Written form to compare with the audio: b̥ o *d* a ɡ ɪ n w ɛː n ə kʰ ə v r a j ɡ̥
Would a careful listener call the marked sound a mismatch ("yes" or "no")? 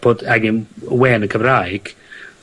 no